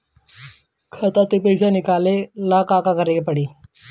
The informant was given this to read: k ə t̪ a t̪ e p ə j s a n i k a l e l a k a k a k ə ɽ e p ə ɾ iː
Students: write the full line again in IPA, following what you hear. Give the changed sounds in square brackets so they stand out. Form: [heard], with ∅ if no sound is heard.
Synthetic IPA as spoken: [kʰ] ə t̪ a t̪ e p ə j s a n i k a l e l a k a k a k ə [ɾ] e p ə [ɽ] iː